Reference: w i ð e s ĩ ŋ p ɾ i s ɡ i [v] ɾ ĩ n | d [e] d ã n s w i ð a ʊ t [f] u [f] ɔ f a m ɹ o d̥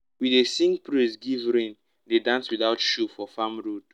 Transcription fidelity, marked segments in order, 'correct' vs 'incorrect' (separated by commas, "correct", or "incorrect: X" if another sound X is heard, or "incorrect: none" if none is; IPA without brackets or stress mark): correct, correct, incorrect: ʃ, correct